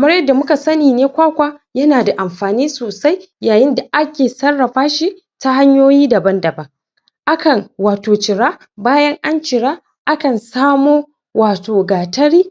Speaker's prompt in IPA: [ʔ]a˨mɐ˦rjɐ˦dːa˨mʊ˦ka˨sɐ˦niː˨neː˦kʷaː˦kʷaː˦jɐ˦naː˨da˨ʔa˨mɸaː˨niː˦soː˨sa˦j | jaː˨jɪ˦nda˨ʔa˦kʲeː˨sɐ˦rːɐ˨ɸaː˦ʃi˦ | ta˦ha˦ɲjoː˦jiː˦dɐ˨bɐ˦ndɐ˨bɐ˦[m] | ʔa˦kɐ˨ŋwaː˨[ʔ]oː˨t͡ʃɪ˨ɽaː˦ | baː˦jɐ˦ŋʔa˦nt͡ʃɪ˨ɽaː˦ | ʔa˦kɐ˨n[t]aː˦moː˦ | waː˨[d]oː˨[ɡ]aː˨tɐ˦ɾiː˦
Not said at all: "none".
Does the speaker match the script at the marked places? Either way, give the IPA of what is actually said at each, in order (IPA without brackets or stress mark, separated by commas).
k, ŋ, t, s, t, ɡ